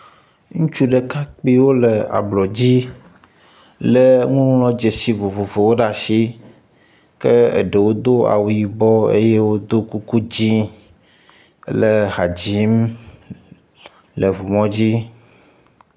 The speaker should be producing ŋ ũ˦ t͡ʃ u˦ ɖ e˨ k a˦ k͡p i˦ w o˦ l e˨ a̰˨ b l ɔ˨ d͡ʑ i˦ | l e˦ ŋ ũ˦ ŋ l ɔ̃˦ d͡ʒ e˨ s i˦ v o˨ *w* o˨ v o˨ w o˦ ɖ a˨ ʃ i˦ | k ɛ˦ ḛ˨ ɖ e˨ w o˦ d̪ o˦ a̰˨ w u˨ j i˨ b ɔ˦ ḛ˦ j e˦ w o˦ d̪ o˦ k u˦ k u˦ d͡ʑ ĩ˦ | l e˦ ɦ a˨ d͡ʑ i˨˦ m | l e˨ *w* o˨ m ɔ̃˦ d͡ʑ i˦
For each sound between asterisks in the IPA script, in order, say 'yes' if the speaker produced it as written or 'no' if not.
no, no

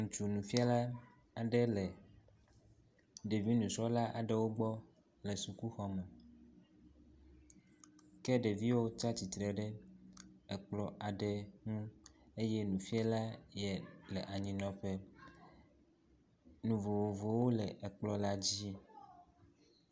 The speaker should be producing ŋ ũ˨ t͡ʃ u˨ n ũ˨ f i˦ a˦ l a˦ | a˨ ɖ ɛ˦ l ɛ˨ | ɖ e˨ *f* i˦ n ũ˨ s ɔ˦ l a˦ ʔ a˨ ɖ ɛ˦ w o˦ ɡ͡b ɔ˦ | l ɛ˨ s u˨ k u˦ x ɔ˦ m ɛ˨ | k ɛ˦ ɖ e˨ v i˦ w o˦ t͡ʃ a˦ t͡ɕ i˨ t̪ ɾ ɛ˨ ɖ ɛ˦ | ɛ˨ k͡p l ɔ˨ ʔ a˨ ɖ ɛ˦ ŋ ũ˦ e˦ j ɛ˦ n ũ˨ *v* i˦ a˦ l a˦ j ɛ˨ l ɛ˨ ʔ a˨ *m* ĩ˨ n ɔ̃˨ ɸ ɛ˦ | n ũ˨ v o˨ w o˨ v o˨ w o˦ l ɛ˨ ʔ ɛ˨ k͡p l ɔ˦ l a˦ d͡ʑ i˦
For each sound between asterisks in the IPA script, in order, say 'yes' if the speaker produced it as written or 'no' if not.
no, no, no

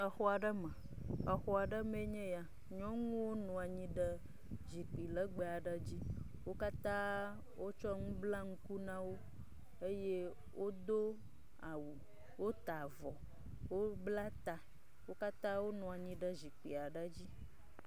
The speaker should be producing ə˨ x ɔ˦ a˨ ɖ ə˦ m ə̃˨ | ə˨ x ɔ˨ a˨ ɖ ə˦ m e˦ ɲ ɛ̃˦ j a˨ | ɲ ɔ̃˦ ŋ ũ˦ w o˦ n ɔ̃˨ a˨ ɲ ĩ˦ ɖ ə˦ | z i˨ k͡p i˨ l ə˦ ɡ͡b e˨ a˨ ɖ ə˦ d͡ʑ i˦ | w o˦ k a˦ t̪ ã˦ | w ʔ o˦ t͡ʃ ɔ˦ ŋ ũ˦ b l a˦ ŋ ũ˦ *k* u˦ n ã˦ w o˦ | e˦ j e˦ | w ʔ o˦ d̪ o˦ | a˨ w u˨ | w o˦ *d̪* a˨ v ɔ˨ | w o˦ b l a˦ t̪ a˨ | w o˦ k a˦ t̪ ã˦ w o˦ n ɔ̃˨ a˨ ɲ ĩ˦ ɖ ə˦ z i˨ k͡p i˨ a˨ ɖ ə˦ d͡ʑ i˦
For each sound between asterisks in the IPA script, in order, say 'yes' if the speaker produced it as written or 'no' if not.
yes, no

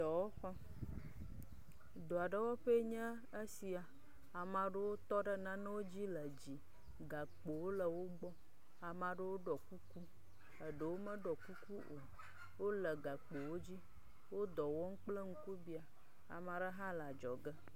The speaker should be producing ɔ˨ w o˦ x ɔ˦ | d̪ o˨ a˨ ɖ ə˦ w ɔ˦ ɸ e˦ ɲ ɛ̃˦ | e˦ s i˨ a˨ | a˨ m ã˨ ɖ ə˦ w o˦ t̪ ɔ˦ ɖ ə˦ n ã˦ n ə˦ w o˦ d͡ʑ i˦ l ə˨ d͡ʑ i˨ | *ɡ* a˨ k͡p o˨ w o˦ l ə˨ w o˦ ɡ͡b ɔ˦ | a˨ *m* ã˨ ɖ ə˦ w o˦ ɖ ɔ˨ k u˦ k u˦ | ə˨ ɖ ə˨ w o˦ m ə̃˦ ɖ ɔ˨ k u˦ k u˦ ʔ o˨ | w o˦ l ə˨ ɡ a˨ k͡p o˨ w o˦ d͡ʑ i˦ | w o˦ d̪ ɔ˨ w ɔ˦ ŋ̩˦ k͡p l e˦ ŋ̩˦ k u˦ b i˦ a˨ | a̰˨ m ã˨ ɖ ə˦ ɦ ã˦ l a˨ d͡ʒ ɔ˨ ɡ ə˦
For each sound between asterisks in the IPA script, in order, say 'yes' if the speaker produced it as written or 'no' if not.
yes, yes

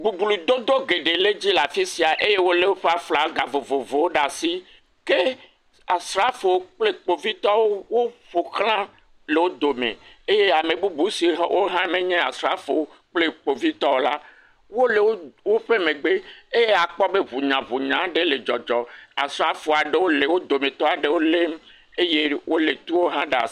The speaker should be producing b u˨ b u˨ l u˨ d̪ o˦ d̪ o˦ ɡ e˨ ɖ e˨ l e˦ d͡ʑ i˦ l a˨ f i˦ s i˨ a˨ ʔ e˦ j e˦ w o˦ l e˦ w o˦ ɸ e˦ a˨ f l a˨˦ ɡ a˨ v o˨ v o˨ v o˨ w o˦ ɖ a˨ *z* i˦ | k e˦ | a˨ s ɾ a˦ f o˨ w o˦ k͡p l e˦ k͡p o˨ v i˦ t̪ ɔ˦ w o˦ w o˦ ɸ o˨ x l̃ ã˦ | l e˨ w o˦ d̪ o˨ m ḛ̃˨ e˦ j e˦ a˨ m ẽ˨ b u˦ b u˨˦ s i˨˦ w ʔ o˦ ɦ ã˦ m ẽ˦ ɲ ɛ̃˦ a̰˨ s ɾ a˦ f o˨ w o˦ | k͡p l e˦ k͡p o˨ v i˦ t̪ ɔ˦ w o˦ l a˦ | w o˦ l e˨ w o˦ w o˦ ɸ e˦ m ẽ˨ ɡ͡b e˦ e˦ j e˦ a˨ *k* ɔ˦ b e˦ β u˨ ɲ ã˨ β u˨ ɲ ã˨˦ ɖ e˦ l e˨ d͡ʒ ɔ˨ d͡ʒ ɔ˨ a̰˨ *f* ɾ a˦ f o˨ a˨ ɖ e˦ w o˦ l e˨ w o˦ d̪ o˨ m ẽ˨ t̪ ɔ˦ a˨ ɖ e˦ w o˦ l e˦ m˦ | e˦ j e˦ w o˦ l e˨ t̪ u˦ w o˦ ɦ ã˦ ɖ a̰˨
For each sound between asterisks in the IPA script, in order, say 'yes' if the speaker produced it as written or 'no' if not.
no, no, no

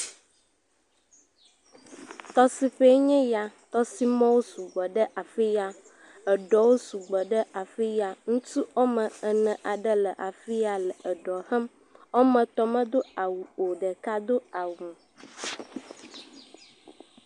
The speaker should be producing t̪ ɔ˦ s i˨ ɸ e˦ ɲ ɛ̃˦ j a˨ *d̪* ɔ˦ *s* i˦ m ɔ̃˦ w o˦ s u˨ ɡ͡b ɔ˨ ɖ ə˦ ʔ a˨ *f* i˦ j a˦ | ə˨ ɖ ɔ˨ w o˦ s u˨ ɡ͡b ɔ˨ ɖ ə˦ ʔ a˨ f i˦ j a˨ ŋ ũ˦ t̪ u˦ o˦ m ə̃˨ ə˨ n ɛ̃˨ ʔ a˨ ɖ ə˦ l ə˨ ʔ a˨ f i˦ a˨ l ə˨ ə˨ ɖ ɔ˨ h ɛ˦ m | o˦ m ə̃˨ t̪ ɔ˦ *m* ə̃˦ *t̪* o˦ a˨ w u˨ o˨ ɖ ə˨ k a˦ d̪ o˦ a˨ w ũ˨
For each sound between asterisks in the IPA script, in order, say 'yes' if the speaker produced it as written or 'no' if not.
no, yes, yes, yes, no

